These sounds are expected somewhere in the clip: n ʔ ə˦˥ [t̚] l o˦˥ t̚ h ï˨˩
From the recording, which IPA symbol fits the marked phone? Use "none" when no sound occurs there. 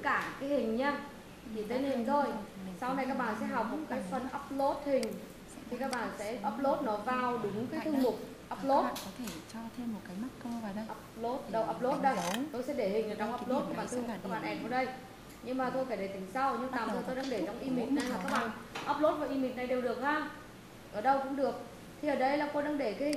p̚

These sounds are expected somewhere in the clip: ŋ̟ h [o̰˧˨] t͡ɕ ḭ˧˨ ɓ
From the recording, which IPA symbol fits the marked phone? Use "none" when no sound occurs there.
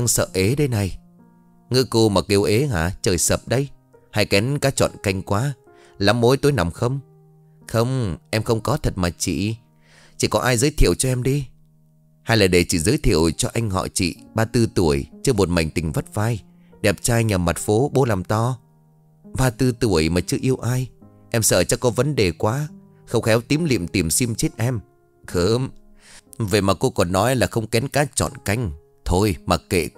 ɔ̰˧˨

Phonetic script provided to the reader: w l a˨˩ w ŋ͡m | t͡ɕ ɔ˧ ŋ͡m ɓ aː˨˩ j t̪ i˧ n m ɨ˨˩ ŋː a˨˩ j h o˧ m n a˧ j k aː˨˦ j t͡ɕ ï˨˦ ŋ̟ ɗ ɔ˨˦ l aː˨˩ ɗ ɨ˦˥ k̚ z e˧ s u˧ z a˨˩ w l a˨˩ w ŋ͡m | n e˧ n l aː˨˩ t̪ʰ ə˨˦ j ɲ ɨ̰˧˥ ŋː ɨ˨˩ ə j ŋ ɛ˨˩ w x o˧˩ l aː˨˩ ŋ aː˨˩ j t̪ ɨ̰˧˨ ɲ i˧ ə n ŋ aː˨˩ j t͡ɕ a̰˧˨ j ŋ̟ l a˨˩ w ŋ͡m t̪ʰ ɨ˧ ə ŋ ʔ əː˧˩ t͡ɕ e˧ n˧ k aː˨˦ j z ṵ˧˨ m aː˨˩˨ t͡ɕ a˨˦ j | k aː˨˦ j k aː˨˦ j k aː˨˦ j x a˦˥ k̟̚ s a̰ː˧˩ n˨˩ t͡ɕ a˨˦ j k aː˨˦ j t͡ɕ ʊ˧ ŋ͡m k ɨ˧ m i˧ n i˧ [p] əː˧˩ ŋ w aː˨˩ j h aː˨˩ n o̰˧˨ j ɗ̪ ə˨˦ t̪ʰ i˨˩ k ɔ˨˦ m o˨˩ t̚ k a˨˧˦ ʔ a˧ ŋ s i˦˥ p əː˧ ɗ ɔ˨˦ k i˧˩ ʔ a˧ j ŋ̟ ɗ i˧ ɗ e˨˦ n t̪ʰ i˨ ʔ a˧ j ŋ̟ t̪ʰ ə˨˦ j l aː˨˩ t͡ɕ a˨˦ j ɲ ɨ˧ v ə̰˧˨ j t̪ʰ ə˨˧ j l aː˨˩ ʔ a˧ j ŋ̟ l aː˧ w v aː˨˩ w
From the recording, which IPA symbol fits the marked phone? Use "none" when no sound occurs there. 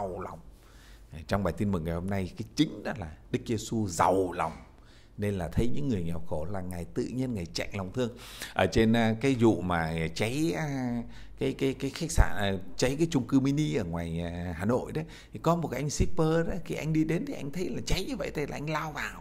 ʔ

